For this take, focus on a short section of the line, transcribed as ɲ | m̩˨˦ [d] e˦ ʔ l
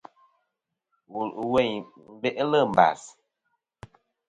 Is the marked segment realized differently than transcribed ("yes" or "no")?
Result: yes